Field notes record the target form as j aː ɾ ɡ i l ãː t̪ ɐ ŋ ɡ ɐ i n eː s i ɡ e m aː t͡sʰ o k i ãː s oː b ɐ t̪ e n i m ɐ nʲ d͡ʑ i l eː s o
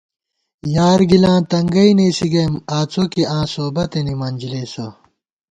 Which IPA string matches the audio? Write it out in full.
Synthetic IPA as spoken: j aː ɾ ɡ i l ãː t̪ ɐ ŋ ɡ ɐ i n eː s i ɡ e m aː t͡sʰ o k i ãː s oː b ɐ t̪ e n i m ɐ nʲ d͡ʑ i l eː s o